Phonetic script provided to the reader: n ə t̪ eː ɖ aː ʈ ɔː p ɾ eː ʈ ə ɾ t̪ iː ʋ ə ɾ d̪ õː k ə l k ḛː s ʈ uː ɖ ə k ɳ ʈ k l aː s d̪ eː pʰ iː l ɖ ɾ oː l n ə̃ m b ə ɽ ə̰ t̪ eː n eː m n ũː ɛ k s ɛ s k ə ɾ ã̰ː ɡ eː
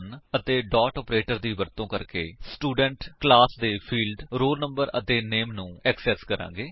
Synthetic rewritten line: n ə t̪ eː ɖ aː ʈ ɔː p ɾ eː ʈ ə ɾ d̪ iː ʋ ə ɾ t̪ õː k ə ɾ k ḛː s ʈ uː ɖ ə ɳ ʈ k l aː s d̪ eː pʰ iː l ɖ ɾ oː l n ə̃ m b ə ɾ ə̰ t̪ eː n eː m n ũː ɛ k s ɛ s k ə ɾ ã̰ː ɡ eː